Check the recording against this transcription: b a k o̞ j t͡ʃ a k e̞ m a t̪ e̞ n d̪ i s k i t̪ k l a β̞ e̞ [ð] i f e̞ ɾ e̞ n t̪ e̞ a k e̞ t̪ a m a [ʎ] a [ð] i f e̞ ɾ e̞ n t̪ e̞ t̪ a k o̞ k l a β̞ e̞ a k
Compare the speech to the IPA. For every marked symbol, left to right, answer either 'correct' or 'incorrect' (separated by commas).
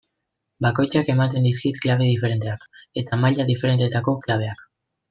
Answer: correct, correct, correct